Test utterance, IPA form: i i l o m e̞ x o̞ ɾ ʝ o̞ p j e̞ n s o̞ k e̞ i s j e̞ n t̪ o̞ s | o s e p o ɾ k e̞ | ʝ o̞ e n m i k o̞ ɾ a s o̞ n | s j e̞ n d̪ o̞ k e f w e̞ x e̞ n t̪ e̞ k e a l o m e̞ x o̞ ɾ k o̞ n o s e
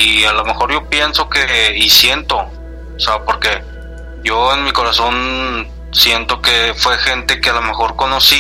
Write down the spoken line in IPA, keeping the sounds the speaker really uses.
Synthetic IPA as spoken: i a l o m e̞ x o̞ ɾ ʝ o̞ p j e̞ n s o̞ k e̞ i s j e̞ n t̪ o̞ | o s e p o ɾ k e̞ | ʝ o̞ e n m i k o̞ ɾ a s o̞ n | s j e̞ n t̪ o̞ k e f w e̞ x e̞ n t̪ e̞ k e a l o m e̞ x o̞ ɾ k o̞ n o s i